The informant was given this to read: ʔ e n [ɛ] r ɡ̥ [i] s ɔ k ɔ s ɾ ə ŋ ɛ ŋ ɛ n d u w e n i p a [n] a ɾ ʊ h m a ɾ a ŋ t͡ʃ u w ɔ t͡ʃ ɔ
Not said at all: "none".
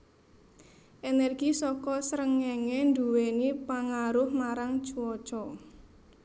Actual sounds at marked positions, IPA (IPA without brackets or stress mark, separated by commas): ɛ, i, ŋ